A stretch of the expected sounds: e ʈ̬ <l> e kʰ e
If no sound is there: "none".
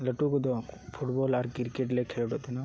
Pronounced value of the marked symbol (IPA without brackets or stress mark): l